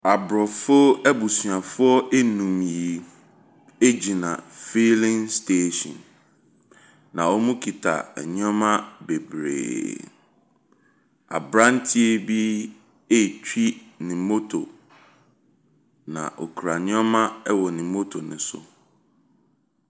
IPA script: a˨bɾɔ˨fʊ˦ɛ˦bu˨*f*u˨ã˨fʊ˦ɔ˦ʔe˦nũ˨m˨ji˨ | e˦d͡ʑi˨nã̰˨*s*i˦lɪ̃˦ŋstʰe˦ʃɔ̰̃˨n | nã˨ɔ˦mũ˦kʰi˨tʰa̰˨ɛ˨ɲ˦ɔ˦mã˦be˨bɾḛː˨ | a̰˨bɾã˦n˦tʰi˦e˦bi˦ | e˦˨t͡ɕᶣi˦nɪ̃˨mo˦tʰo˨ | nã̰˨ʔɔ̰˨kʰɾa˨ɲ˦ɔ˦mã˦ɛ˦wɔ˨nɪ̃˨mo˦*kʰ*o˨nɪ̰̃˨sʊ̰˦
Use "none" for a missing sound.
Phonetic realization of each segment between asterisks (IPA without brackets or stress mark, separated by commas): s, f, tʰ